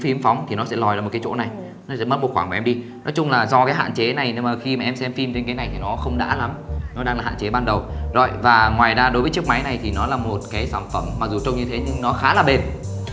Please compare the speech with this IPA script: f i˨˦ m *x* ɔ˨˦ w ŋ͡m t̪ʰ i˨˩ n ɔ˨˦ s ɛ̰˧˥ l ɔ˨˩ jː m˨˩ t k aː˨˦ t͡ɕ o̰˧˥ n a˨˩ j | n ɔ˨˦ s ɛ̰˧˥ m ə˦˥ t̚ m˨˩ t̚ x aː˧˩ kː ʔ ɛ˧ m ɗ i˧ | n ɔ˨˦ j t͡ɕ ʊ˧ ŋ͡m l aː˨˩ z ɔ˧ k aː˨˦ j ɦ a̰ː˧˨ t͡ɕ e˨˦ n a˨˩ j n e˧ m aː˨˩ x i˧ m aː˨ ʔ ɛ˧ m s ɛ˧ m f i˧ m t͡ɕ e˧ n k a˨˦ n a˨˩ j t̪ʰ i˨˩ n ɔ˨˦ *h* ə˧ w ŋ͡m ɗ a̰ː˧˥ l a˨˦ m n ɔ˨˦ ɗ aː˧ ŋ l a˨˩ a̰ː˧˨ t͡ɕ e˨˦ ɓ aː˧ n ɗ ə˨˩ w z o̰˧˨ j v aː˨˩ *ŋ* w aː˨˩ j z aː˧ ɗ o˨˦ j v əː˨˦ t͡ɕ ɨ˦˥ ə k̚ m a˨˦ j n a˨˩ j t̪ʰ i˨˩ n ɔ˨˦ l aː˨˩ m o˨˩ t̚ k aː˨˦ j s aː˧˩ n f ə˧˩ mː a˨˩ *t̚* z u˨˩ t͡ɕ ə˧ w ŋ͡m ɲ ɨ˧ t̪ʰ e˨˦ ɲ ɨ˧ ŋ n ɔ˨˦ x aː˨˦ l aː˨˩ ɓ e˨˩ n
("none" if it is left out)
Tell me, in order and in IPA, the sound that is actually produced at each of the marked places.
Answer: f, x, ŋ, k̚

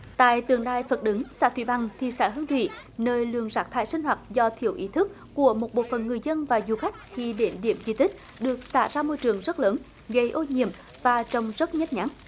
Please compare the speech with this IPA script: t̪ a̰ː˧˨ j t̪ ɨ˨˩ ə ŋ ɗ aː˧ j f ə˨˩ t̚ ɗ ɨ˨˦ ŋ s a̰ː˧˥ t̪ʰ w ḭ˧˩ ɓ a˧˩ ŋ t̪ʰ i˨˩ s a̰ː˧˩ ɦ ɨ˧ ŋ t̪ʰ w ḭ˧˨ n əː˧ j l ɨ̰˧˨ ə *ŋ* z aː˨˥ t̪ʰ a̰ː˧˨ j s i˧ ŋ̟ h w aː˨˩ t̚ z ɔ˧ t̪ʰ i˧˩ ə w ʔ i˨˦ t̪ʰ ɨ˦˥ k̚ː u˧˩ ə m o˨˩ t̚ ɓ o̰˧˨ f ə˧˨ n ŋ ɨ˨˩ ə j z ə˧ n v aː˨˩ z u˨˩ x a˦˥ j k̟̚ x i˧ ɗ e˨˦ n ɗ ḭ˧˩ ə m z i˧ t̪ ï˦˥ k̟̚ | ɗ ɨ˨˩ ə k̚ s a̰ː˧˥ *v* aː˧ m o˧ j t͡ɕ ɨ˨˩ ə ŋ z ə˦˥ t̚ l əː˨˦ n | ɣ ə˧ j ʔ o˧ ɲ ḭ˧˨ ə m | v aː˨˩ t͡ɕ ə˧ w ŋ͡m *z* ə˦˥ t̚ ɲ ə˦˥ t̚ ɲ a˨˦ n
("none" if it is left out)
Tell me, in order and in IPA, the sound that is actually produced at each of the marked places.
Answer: ŋ, z, z

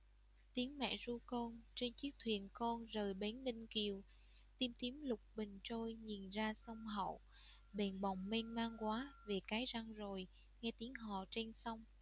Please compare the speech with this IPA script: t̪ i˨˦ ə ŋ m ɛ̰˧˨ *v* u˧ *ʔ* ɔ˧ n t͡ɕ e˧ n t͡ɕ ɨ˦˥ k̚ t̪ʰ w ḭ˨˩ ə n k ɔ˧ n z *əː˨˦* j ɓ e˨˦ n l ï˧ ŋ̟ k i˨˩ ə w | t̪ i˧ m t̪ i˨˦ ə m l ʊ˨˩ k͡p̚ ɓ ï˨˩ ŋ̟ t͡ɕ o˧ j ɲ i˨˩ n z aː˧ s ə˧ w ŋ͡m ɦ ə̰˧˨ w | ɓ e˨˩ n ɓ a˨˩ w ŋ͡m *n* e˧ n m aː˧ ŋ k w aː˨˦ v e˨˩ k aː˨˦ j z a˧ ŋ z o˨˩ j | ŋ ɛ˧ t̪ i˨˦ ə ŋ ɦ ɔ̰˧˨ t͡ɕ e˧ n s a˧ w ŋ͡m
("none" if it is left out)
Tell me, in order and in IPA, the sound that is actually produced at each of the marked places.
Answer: z, k, əː˨˩, m

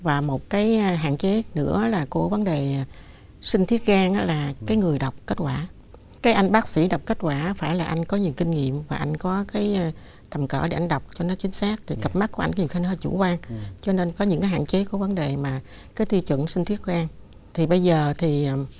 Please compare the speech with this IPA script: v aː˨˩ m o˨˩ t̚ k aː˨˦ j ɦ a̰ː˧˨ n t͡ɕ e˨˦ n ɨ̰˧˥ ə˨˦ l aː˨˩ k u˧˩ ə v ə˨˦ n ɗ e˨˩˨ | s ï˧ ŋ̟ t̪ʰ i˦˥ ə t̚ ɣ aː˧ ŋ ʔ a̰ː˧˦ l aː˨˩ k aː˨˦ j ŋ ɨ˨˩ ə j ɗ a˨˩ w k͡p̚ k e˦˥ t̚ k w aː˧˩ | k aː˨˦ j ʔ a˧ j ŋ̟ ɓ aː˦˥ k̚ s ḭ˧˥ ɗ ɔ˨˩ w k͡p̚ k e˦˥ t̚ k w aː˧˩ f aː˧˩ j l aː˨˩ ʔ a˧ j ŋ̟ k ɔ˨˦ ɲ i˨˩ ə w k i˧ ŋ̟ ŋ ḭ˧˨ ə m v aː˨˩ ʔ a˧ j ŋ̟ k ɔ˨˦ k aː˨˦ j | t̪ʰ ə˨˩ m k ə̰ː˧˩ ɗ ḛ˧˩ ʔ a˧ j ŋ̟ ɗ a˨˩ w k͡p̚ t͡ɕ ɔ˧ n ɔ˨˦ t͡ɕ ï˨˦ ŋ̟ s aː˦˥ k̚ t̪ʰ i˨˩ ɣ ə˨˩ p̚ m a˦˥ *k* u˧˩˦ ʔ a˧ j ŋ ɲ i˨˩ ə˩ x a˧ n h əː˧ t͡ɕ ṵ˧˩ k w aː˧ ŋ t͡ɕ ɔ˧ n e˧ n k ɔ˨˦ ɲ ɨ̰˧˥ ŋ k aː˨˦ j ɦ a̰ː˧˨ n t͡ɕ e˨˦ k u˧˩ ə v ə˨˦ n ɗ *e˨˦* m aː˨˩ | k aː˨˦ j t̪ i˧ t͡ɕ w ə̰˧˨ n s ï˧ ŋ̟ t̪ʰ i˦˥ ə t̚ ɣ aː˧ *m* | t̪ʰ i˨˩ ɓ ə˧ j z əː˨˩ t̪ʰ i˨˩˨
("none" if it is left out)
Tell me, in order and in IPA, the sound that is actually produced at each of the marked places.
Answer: k, e˨˩, ŋ

